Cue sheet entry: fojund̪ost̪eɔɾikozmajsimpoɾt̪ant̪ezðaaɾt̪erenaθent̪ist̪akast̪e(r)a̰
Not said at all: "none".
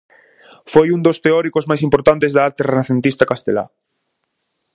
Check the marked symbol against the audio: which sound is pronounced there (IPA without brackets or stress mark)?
l